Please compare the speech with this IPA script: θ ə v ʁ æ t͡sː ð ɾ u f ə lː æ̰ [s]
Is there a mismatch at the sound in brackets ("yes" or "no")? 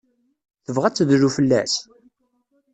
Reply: no